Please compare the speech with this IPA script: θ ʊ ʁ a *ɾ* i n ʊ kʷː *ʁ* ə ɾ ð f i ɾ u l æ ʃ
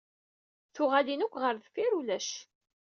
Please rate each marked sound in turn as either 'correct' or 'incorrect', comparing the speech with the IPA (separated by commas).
incorrect, correct